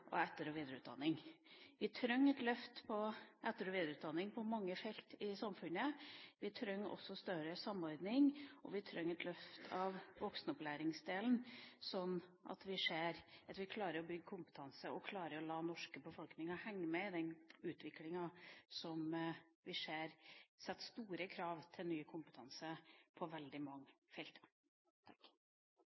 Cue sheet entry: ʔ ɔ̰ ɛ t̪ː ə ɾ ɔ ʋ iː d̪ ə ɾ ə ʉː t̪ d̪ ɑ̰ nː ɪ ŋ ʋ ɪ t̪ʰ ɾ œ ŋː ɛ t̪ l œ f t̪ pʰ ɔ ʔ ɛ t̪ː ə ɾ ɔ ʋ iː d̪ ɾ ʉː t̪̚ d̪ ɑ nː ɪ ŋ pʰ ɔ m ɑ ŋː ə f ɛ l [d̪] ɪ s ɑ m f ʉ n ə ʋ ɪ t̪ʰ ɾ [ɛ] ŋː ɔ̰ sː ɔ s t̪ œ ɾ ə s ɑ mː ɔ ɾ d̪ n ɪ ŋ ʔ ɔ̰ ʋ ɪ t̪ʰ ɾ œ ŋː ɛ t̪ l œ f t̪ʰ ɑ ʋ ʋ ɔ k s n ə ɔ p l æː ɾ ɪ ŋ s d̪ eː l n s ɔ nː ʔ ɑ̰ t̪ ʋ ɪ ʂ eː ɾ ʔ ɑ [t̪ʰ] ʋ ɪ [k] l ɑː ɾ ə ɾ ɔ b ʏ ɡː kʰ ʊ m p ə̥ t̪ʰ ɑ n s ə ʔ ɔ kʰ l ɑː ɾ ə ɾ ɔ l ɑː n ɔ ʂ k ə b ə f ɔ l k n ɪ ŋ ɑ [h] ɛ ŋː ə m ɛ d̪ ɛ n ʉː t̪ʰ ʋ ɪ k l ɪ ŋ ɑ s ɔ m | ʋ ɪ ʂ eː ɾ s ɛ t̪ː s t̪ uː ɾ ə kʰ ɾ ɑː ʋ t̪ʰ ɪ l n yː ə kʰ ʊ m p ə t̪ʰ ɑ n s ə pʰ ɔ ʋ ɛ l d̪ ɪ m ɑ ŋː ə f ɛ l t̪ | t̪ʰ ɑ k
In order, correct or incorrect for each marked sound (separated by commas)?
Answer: incorrect, incorrect, incorrect, incorrect, correct